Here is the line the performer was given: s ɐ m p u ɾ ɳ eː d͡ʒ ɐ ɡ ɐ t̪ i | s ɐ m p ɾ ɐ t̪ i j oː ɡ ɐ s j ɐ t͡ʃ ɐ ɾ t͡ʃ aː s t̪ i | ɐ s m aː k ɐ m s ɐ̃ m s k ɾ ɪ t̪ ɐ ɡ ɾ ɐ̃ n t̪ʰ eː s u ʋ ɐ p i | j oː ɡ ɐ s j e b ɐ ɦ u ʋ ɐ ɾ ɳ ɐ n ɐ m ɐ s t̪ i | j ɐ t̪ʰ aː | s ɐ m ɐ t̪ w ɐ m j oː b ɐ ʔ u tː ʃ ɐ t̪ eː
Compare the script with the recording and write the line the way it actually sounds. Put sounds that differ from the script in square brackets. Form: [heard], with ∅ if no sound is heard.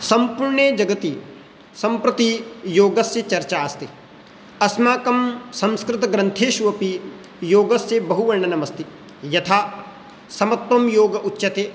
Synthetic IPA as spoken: s ɐ m p u ɾ ɳ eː d͡ʒ ɐ ɡ ɐ t̪ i | s ɐ m p ɾ ɐ t̪ i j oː ɡ ɐ s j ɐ t͡ʃ ɐ ɾ t͡ʃ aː s t̪ i | ɐ s m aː k ɐ m s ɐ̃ m s k ɾ ɪ t̪ ɐ ɡ ɾ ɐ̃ n t̪ʰ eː [ʃ] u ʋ ɐ p i | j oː ɡ ɐ s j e b ɐ ɦ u ʋ ɐ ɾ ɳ ɐ n ɐ m ɐ s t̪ i | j ɐ t̪ʰ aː | s ɐ m ɐ t̪ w ɐ m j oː [ɡ] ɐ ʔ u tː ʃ ɐ t̪ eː